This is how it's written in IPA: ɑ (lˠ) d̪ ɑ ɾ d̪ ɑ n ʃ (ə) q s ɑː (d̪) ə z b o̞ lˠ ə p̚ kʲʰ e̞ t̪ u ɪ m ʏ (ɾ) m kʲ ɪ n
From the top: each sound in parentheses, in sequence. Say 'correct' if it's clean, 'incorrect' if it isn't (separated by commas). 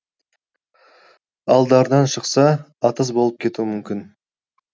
correct, correct, incorrect, incorrect